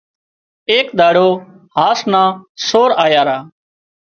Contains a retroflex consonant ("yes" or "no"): yes